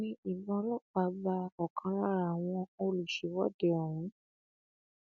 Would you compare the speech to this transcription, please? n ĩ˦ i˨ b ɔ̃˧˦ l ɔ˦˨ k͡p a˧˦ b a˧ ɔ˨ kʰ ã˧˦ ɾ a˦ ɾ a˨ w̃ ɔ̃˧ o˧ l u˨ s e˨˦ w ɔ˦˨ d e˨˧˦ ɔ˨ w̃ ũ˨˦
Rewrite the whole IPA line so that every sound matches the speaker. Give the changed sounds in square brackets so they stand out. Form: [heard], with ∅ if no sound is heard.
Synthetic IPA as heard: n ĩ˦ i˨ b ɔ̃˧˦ l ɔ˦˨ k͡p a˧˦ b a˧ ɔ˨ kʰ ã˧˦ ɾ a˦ ɾ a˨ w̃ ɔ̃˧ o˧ l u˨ [ʃ] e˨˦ w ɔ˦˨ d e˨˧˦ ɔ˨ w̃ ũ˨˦